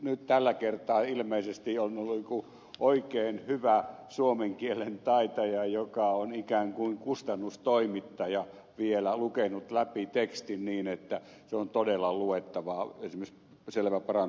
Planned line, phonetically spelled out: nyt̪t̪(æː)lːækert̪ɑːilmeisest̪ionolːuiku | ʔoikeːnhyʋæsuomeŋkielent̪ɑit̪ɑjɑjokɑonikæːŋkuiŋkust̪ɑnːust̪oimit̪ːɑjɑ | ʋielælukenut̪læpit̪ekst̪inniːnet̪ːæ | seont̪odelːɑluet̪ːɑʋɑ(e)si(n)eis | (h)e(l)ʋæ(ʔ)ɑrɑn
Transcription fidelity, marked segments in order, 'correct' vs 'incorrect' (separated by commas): incorrect, correct, incorrect, incorrect, correct, incorrect